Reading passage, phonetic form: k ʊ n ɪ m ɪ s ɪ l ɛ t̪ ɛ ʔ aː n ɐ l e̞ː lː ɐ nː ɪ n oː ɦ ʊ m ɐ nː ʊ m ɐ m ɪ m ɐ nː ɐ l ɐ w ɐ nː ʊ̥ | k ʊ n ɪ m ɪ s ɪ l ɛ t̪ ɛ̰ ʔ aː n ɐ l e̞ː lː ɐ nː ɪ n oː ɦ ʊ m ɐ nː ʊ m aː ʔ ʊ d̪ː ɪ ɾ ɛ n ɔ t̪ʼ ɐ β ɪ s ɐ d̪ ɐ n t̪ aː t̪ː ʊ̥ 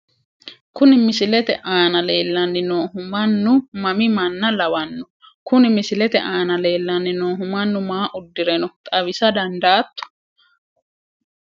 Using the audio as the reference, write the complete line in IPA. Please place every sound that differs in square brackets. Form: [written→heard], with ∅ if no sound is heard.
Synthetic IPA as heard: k ʊ n ɪ m ɪ s ɪ l ɛ t̪ ɛ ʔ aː n ɐ l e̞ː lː ɐ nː ɪ n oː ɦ ʊ m ɐ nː ʊ m ɐ m ɪ m ɐ nː ɐ l ɐ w ɐ nː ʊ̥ | k ʊ n ɪ m ɪ s ɪ l ɛ t̪ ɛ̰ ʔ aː n ɐ l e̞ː lː ɐ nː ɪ n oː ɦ ʊ m ɐ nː ʊ m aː ʔ ʊ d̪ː ɪ ɾ ɛ n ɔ t̪ʼ ɐ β ɪ s ɐ d̪ ɐ n [t̪→d̪] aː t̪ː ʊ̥